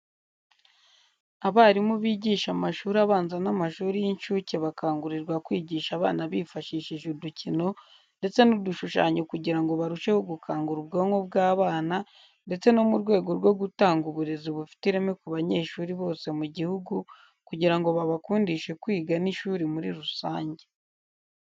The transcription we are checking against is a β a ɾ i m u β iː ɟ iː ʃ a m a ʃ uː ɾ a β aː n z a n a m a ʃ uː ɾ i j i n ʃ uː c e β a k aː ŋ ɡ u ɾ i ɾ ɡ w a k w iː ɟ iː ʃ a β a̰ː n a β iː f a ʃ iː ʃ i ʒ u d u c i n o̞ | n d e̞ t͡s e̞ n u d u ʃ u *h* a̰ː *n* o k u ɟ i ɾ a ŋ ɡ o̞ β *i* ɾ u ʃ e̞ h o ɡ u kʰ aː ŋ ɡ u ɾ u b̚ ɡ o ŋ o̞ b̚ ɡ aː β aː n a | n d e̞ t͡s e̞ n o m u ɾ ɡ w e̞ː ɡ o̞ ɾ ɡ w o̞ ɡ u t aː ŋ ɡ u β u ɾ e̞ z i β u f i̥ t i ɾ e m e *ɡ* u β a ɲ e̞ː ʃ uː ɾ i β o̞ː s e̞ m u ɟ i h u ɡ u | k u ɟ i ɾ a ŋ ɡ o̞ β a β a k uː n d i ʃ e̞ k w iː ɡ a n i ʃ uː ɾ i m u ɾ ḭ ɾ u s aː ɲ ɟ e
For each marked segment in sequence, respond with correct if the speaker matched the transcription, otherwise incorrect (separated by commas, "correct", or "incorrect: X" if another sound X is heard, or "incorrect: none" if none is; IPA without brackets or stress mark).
incorrect: ʃ, incorrect: ɲ, incorrect: a, incorrect: k